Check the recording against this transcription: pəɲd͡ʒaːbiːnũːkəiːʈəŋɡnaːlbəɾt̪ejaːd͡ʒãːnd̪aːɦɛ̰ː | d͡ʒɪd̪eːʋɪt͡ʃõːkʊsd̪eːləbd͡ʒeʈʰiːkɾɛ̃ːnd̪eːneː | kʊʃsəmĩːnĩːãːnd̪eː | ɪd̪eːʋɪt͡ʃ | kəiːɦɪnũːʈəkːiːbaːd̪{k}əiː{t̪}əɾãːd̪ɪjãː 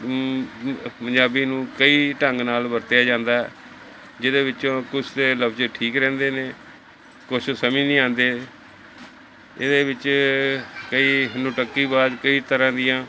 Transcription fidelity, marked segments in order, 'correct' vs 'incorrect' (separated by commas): correct, correct